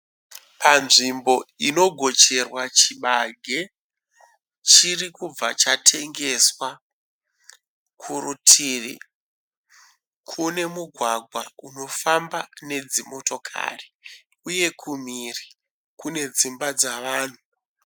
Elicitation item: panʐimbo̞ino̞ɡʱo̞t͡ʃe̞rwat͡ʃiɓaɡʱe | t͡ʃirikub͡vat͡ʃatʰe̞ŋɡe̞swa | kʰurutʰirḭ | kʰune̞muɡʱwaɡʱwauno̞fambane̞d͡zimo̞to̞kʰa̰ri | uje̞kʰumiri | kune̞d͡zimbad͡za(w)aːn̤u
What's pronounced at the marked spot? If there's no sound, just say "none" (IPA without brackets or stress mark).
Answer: ʋ